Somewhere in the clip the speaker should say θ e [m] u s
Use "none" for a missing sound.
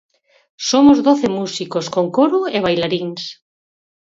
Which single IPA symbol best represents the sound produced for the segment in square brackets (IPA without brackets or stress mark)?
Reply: m